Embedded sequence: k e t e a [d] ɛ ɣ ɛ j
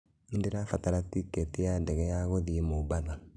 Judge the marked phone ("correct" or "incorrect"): correct